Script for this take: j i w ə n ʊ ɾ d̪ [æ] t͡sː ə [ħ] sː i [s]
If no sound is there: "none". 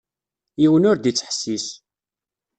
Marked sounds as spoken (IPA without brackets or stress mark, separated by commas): i, ħ, s